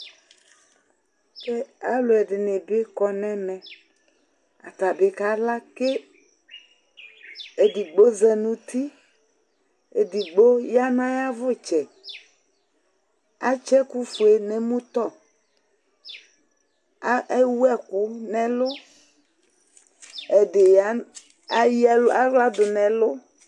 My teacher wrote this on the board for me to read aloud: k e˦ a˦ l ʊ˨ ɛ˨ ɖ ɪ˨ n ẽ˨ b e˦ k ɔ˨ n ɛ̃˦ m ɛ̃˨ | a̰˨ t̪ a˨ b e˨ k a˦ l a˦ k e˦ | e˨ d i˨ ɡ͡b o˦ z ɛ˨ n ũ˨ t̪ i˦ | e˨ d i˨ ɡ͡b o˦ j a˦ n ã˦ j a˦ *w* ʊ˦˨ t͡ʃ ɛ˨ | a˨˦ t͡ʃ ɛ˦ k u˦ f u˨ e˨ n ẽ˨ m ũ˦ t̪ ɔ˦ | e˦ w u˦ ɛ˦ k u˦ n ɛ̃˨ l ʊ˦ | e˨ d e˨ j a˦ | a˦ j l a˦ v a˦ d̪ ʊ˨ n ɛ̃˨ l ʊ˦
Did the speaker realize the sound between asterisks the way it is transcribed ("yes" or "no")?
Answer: no